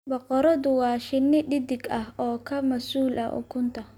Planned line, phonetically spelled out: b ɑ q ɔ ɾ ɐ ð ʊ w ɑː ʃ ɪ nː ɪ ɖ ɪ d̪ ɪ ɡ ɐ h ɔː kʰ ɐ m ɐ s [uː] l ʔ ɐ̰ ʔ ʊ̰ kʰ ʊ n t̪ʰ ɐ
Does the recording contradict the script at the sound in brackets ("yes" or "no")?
no